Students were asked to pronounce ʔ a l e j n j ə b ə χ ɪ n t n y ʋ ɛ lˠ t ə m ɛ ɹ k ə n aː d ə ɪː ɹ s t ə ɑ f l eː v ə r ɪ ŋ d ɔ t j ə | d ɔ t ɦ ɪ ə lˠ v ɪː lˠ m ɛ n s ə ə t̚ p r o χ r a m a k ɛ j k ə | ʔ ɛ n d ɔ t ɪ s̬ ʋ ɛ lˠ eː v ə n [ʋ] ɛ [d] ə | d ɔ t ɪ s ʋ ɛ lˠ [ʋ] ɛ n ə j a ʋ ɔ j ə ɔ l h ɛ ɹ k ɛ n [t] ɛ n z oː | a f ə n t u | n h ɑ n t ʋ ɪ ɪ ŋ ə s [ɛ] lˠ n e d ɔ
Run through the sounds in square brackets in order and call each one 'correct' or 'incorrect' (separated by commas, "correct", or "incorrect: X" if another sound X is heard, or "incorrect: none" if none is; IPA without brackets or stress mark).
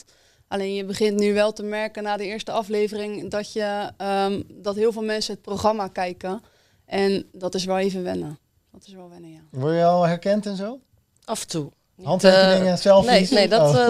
correct, incorrect: n, correct, correct, correct